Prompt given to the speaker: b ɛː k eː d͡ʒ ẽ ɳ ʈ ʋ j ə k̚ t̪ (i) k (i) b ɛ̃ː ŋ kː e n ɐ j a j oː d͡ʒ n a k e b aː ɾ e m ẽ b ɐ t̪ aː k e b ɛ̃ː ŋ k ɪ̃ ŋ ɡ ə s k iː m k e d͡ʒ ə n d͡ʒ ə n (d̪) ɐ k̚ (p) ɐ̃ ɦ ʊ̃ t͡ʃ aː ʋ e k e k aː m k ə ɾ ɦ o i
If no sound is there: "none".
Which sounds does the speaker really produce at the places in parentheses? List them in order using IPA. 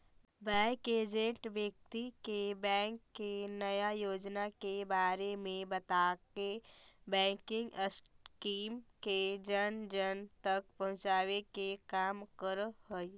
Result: i, e, t̪, p

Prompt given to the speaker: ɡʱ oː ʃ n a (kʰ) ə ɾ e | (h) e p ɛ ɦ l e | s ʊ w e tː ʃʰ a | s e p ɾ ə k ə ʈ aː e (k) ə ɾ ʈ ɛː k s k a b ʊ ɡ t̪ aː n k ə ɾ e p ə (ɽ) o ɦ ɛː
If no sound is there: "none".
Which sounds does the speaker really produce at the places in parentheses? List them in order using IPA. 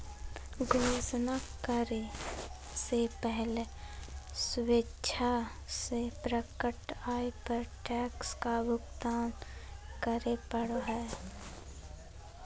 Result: k, s, p, ɽ

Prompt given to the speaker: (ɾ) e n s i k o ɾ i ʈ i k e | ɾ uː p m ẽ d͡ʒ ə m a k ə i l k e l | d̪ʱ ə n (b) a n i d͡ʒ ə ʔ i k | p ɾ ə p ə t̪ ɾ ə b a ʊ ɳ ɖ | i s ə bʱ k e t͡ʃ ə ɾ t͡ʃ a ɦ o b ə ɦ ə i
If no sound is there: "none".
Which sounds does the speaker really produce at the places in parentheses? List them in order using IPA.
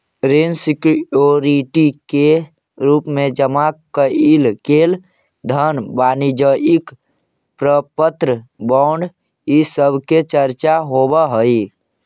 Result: ɾ, b

